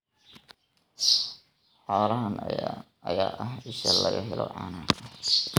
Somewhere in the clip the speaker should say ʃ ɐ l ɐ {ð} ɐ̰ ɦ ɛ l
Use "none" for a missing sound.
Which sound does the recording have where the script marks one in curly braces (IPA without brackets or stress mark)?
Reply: ɣ